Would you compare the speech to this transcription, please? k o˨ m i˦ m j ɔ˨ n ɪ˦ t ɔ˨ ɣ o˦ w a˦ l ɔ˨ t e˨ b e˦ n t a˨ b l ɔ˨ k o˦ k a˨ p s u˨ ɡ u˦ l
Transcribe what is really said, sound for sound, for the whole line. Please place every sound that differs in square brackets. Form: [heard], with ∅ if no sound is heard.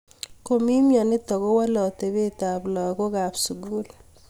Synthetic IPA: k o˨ m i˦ m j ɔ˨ n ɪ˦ t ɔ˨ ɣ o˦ w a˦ l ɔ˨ t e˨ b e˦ [∅] t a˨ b l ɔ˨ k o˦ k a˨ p s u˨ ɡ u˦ l